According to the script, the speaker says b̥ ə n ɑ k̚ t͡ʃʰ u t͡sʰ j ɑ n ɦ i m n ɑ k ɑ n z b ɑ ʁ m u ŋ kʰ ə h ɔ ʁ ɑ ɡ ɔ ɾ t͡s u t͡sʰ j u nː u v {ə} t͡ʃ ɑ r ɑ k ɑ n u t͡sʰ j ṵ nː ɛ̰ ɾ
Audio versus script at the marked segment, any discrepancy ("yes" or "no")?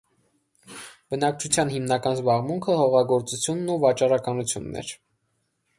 yes